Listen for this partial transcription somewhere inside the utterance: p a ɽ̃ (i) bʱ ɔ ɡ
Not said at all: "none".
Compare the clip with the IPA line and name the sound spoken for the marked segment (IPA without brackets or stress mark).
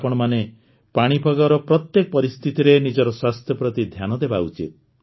i